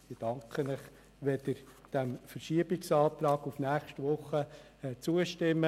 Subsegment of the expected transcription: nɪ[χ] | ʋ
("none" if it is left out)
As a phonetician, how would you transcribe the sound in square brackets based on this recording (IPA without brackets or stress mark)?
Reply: χ